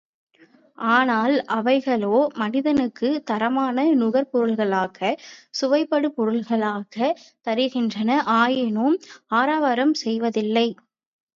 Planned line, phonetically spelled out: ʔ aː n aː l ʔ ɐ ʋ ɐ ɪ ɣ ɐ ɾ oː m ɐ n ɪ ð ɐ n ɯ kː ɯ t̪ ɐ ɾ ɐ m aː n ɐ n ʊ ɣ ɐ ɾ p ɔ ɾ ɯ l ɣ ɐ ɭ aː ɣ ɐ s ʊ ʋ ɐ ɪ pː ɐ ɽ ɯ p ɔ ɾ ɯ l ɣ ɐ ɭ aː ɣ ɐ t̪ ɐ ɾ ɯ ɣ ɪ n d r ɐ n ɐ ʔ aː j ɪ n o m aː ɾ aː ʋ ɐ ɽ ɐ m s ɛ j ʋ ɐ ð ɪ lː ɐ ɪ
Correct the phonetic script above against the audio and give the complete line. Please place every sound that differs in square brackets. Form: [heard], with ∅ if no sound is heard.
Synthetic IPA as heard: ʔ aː n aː l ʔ ɐ ʋ ɐ ɪ ɣ ɐ [ɭ] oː m ɐ n ɪ ð ɐ n ɯ kː ɯ t̪ ɐ ɾ ɐ m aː n ɐ n ʊ ɣ ɐ ɾ p ɔ ɾ ɯ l ɣ ɐ ɭ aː ɣ ɐ s ʊ ʋ ɐ ɪ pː ɐ ɽ ɯ p ɔ ɾ ɯ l ɣ ɐ ɭ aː ɣ ɐ t̪ ɐ ɾ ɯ ɣ ɪ n d r ɐ n ɐ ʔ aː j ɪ n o m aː ɾ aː ʋ ɐ [ɾ] ɐ m s ɛ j ʋ ɐ ð ɪ lː ɐ ɪ